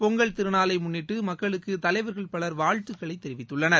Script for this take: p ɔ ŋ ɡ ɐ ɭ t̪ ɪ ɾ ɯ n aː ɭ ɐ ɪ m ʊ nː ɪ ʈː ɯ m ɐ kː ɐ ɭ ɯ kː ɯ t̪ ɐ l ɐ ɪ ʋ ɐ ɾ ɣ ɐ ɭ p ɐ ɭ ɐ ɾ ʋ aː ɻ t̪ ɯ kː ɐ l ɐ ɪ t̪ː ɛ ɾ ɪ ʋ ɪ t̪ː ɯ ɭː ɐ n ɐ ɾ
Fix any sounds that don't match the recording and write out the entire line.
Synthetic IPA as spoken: p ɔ ŋ ɡ ɐ ɭ t̪ ɪ ɾ ɯ n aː l ɐ ɪ m ʊ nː ɪ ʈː ɯ m ɐ kː ɐ ɭ ɯ kː ɯ t̪ ɐ l ɐ ɪ ʋ ɐ ɾ ɣ ɐ ɭ p ɐ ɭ ɐ ɾ ʋ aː ɻ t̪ ɯ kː ɐ ɭ ɐ ɪ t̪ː ɛ ɾ ɪ ʋ ɪ t̪ː ɯ ɭː ɐ n ɐ ɾ